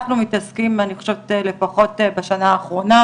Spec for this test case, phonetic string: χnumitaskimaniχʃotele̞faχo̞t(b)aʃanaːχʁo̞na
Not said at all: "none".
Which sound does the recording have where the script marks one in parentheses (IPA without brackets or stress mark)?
b